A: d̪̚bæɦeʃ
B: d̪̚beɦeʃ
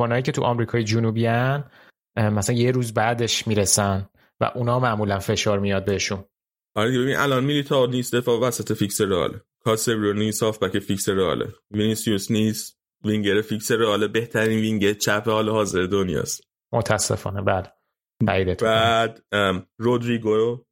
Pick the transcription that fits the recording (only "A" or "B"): B